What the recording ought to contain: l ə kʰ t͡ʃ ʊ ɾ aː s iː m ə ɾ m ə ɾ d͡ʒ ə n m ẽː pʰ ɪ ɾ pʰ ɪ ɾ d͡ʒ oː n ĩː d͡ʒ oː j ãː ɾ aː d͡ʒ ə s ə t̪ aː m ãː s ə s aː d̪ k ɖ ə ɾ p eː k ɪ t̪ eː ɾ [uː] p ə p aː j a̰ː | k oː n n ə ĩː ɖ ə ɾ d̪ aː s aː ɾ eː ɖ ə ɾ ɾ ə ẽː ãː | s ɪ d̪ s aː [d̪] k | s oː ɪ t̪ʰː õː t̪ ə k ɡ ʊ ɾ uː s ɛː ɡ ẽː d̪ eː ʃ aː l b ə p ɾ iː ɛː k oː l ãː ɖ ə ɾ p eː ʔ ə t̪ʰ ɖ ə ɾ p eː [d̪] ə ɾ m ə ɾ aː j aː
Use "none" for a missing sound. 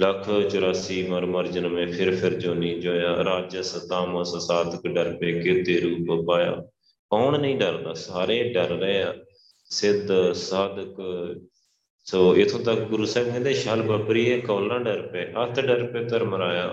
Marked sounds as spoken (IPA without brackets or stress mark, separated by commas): uː, d̪, t̪